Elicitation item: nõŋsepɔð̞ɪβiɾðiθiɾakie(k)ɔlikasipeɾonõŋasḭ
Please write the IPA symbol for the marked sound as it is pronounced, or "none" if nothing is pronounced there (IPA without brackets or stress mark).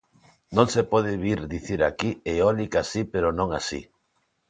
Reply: none